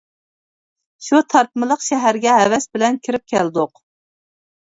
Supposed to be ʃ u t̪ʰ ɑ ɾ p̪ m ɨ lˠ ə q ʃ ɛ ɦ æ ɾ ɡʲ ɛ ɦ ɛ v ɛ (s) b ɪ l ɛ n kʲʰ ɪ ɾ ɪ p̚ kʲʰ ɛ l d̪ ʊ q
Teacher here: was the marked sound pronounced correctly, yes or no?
yes